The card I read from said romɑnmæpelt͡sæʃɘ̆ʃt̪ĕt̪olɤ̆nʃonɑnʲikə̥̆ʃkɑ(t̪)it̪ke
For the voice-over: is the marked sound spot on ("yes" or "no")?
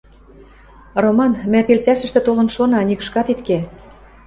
yes